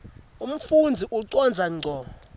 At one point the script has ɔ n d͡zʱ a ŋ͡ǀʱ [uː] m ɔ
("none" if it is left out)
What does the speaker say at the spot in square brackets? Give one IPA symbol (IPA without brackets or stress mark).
ɔː